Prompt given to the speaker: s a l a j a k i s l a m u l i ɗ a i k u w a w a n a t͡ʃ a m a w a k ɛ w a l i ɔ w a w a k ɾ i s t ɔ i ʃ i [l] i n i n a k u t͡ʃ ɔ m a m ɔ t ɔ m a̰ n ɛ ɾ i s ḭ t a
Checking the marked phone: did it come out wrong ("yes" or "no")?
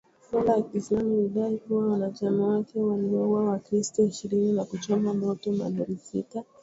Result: yes